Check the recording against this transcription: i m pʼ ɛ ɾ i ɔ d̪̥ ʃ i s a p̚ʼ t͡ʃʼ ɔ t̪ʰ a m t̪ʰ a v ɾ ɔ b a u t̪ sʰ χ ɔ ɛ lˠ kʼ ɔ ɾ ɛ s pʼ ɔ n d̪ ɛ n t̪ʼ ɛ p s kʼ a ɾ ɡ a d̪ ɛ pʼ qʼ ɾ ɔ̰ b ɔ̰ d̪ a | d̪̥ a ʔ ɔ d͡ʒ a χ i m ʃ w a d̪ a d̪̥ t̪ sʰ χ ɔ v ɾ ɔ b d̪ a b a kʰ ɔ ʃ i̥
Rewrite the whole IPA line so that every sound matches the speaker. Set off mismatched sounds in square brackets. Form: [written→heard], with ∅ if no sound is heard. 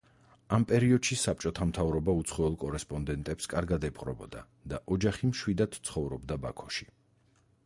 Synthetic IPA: [i→a] m pʼ ɛ ɾ i ɔ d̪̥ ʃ i s a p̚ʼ t͡ʃʼ ɔ t̪ʰ a m t̪ʰ a v ɾ ɔ b a u t̪ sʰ χ ɔ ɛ lˠ kʼ ɔ ɾ ɛ s pʼ ɔ n d̪ ɛ n t̪ʼ ɛ p s kʼ a ɾ ɡ a d̪ ɛ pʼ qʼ ɾ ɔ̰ b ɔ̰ d̪ a | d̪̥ a ʔ ɔ d͡ʒ a χ i m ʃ w [a→i] d̪ a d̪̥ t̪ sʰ χ ɔ v ɾ ɔ b d̪ a b a kʰ ɔ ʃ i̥